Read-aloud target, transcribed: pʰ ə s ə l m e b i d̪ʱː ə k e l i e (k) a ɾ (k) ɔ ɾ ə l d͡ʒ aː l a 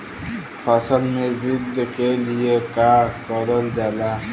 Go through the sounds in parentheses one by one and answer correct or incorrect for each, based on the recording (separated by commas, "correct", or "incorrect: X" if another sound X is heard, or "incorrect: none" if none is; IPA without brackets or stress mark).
correct, correct